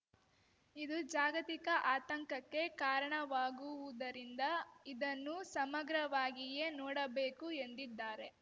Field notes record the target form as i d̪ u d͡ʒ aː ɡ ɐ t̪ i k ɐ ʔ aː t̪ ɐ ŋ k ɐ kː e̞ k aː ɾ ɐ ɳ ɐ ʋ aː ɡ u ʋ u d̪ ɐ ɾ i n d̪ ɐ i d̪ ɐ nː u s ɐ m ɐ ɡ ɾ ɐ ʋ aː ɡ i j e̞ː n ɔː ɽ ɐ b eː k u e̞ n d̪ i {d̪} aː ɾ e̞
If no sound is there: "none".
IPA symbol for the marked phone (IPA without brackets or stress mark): d̪ː